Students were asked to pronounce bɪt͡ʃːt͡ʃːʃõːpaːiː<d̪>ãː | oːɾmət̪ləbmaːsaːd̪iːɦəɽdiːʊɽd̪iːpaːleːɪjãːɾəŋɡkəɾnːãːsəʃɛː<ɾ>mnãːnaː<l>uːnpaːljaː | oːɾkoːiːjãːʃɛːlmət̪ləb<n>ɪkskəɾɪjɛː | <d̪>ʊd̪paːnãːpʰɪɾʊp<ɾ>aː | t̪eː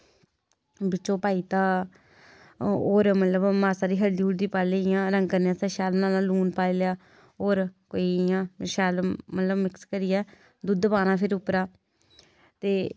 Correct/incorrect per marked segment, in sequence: incorrect: t̪, incorrect: l, correct, incorrect: m, correct, correct

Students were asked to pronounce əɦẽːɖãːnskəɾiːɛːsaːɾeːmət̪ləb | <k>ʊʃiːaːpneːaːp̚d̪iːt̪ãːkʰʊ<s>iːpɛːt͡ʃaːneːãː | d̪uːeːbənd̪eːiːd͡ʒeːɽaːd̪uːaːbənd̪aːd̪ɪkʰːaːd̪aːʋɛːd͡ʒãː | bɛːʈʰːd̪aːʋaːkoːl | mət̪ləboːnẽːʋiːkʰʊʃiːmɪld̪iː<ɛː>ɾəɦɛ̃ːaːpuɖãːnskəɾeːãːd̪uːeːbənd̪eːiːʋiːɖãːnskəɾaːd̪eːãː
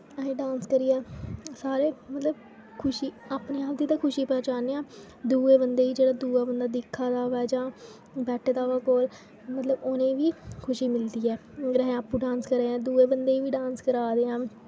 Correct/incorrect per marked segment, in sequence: incorrect: kʰ, incorrect: ʃ, correct

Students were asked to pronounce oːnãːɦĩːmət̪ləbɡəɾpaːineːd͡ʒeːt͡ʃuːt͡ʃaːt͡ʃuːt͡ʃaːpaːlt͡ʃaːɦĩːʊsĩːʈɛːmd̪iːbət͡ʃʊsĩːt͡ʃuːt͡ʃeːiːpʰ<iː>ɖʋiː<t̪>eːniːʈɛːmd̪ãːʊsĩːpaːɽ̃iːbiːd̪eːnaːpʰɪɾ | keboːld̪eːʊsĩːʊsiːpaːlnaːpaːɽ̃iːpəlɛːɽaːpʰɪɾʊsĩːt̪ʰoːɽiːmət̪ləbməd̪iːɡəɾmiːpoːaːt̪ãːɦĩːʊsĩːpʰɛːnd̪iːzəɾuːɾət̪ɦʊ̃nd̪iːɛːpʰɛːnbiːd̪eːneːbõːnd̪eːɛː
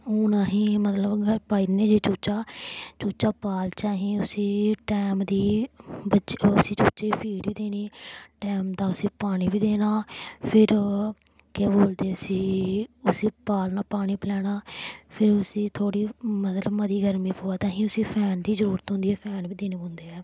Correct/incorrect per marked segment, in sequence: correct, incorrect: d̪

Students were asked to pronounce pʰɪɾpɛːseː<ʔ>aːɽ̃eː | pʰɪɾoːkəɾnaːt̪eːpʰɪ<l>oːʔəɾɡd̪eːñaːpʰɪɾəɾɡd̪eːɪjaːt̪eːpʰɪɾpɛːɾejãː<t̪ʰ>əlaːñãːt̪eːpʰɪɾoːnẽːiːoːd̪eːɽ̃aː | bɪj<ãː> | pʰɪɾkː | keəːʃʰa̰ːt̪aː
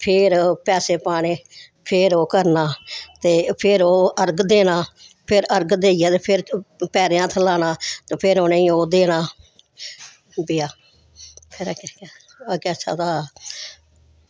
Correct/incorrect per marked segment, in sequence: incorrect: p, incorrect: ɾ, correct, incorrect: aː

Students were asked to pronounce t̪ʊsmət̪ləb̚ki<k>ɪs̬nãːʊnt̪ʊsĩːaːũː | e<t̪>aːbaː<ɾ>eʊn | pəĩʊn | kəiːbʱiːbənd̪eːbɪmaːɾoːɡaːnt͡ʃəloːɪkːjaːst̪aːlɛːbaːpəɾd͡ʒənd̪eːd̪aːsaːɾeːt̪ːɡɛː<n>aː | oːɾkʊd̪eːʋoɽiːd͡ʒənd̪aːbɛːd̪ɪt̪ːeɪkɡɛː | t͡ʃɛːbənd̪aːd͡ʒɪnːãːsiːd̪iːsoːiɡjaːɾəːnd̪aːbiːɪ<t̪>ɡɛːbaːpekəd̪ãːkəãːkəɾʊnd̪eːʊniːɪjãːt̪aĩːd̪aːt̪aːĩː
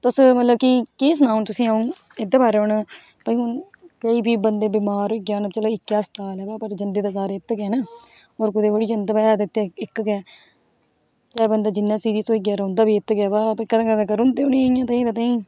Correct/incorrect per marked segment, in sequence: correct, incorrect: d̪, correct, correct, correct

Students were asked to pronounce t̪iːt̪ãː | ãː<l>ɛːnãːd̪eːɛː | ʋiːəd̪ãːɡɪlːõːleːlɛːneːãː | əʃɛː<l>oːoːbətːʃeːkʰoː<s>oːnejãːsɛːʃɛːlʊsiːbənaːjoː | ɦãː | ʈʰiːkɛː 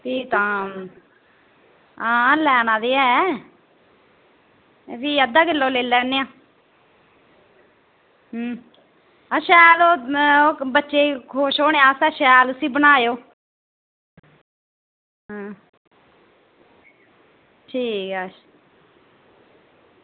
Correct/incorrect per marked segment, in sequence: correct, correct, incorrect: ʃ

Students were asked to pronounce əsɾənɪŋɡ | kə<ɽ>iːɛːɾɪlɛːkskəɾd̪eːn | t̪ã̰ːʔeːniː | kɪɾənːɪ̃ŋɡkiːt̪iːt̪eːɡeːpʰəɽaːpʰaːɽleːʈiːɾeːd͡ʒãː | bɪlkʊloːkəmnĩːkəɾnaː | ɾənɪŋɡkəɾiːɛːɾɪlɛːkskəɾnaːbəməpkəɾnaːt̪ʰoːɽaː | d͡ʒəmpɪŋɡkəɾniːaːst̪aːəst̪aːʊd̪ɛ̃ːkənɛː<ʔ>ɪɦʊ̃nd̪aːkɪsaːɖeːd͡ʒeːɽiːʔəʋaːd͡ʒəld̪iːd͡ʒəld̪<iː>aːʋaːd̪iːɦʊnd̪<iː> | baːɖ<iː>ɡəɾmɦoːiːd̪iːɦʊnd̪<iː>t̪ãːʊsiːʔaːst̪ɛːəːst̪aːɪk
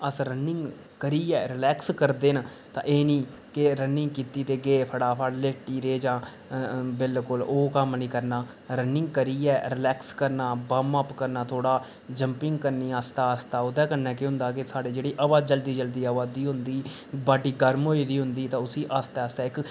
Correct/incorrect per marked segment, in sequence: incorrect: ɾ, incorrect: k, correct, correct, correct, correct

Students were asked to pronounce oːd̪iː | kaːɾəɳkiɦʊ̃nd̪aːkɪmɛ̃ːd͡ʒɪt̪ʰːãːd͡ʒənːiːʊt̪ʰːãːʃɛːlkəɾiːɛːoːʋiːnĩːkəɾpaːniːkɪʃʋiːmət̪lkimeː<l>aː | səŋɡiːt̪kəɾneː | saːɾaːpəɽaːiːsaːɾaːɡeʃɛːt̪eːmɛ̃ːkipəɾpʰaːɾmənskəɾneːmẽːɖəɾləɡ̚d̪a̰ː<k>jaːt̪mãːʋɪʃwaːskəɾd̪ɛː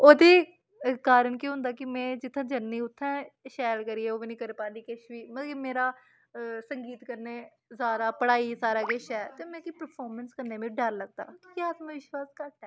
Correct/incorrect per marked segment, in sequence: incorrect: ɾ, correct

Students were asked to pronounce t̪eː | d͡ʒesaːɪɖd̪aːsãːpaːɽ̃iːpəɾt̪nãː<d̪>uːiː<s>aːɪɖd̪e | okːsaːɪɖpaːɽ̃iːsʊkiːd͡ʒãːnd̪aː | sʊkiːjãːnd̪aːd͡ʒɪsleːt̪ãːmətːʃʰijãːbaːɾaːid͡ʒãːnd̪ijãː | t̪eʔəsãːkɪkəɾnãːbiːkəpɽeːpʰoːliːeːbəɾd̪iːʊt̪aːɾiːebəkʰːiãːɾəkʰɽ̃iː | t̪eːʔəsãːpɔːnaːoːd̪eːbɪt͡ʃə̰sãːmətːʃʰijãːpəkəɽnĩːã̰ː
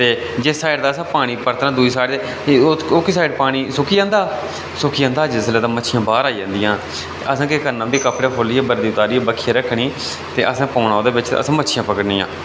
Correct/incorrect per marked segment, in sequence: correct, correct

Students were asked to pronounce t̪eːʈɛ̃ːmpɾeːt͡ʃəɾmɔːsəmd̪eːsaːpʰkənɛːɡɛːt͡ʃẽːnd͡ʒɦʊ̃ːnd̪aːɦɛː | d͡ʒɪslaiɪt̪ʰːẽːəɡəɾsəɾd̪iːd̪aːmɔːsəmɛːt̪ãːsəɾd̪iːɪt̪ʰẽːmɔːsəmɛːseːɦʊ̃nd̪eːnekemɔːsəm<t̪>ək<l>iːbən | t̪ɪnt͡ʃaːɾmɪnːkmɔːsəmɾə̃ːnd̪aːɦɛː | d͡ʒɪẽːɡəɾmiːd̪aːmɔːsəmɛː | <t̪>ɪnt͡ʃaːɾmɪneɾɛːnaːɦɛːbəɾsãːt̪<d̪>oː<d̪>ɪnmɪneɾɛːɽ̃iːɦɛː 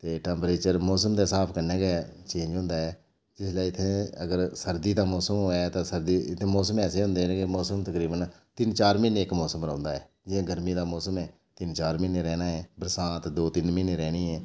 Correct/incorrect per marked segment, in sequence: correct, incorrect: ɾ, correct, correct, incorrect: t̪

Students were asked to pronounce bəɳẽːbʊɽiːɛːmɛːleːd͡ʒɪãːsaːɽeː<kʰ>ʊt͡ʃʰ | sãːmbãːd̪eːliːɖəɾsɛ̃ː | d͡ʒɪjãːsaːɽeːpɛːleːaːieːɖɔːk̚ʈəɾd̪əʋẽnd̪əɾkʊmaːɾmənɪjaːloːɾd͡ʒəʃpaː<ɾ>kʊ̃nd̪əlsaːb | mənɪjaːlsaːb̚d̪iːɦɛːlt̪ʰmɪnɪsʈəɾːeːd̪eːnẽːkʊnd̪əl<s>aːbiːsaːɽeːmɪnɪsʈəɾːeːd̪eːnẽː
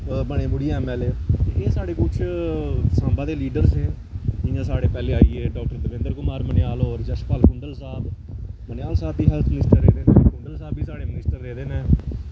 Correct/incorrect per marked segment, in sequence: incorrect: k, incorrect: l, correct

